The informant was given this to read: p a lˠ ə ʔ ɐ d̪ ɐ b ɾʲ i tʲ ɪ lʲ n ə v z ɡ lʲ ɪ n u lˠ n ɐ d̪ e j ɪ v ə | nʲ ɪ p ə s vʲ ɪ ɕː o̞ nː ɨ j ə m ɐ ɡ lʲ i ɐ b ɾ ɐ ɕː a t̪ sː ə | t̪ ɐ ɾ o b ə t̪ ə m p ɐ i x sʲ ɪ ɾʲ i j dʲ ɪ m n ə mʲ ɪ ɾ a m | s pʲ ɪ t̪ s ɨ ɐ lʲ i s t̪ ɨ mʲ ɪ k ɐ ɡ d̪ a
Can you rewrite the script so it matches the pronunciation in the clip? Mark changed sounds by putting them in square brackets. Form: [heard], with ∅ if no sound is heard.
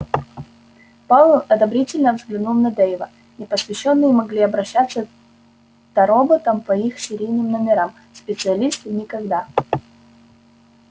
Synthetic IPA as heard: p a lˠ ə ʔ ɐ d̪ ɐ b ɾʲ i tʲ ɪ lʲ n ə v z ɡ lʲ ɪ n u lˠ n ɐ d̪ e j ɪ v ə | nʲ ɪ p ə s vʲ ɪ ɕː o̞ nː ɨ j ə m ɐ ɡ lʲ i ɐ b ɾ ɐ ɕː a t̪ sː ə | t̪ ɐ ɾ o b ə t̪ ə m p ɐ i x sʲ ɪ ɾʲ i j [nʲ] ɪ m n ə mʲ ɪ ɾ a m | s pʲ ɪ t̪ s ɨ ɐ lʲ i s t̪ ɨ [nʲ] ɪ k ɐ ɡ d̪ a

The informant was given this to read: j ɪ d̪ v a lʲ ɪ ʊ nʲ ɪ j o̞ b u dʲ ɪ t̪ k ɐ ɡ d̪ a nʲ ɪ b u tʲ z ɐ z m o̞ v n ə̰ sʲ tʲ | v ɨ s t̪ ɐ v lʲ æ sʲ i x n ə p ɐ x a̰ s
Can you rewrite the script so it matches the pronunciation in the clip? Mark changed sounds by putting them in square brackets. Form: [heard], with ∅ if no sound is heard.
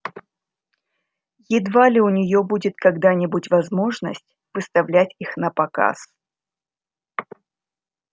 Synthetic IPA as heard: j ɪ d̪ v a lʲ ɪ ʊ nʲ ɪ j o̞ b u dʲ ɪ t̪ k ɐ ɡ d̪ a nʲ ɪ b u tʲ [v] ɐ z m o̞ [ʐ] n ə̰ sʲ tʲ | v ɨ s t̪ ɐ v lʲ æ [tʲ] i x n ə p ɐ [k] a̰ s

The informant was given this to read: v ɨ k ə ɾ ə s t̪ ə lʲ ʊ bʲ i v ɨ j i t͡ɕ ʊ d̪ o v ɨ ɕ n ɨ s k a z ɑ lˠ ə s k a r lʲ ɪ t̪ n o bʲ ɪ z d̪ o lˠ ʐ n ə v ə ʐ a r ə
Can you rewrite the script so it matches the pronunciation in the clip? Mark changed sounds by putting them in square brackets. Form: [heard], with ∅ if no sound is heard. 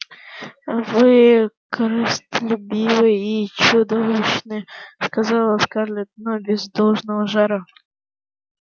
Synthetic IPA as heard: v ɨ k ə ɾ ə s t̪ ə lʲ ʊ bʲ i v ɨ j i t͡ɕ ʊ d̪ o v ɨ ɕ n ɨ s k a z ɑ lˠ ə s k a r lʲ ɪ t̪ n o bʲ ɪ z d̪ o lˠ ʐ n ə v ə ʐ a [ɾ] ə

